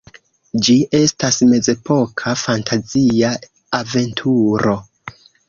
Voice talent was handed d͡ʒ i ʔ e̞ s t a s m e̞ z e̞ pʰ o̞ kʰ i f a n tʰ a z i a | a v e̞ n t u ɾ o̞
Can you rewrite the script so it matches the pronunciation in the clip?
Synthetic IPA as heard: d͡ʒ i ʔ e̞ s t a s m e̞ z e̞ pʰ o̞ kʰ a f a n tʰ a z i a | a v e̞ n tʰ u ɾ o̞